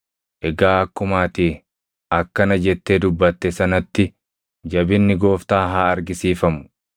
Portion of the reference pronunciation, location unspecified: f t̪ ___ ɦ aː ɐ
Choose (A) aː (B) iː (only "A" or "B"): A